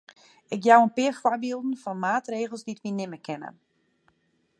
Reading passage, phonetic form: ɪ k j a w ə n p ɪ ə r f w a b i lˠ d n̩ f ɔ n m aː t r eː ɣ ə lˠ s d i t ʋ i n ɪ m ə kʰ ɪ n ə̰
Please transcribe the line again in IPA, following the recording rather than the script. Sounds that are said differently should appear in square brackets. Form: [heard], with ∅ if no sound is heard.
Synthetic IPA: ɪ k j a w ə n p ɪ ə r f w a b i lˠ d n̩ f ɔ n m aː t r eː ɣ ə lˠ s d i t ʋ i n ɪ m ə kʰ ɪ n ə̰